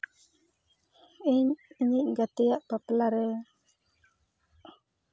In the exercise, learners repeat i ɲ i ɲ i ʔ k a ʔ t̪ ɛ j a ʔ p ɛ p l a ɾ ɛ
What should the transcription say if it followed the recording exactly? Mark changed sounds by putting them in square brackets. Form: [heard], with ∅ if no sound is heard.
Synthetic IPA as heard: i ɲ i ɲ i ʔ [ɡ] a [∅] t̪ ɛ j a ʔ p [a] p l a ɾ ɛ